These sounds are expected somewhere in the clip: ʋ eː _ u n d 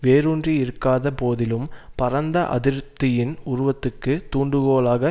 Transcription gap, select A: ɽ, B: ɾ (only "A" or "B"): B